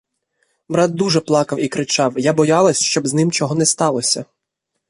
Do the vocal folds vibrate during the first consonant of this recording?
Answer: yes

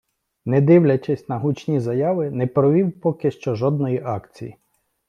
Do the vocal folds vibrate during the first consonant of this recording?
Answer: yes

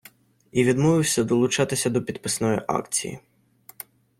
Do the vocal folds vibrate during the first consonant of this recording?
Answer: yes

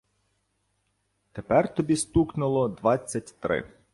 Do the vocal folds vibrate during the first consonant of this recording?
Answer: no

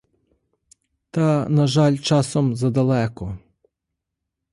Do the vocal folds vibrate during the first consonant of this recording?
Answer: no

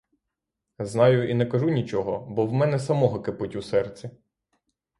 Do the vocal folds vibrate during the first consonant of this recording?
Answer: yes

